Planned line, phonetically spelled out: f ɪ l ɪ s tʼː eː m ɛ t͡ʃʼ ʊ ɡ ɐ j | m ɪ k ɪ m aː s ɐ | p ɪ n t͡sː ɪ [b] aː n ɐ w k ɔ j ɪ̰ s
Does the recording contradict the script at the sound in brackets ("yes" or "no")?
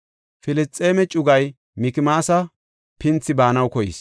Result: no